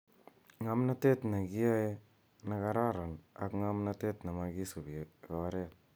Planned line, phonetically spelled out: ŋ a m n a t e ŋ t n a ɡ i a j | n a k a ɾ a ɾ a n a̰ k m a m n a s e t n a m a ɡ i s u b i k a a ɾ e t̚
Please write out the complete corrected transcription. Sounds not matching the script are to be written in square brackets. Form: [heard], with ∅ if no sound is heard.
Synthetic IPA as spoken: ŋ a m n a t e [∅] t n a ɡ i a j | n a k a ɾ a ɾ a n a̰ k [ŋ] a m n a [t] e t n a m a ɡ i s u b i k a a ɾ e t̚